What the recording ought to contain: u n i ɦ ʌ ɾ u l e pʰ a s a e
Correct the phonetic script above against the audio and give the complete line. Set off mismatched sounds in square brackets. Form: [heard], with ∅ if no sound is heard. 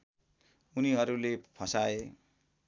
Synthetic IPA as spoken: u n i ɦ ʌ ɾ u l e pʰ [ʌ] s a e